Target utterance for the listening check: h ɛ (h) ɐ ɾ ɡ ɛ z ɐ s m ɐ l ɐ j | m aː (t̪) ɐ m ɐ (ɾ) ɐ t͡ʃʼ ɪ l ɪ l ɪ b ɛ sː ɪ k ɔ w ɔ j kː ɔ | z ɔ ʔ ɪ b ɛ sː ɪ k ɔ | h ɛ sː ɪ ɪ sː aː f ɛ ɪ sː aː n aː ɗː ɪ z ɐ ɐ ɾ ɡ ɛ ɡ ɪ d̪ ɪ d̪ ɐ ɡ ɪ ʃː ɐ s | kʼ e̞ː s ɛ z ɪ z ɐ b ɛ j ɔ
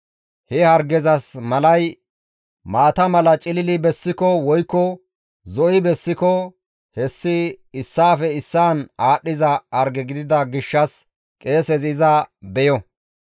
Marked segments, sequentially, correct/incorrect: correct, correct, incorrect: l

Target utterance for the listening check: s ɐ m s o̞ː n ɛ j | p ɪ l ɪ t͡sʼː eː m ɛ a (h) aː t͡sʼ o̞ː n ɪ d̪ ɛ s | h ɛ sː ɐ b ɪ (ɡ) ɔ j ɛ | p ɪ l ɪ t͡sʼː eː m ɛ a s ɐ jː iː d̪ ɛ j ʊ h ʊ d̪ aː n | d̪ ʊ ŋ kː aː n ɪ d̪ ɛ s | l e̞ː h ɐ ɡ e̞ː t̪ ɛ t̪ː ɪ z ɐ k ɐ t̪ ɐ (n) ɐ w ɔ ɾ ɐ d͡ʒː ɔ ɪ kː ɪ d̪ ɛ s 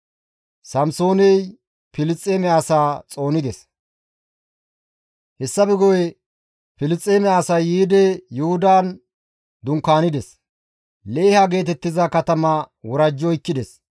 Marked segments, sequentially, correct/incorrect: incorrect: s, correct, incorrect: m

